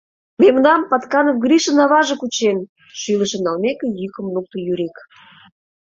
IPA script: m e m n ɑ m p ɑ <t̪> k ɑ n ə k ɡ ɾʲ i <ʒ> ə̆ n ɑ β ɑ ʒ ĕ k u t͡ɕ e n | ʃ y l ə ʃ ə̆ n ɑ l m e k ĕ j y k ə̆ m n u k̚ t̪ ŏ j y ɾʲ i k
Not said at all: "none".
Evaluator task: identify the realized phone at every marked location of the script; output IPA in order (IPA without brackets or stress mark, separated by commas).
t̪, ʃ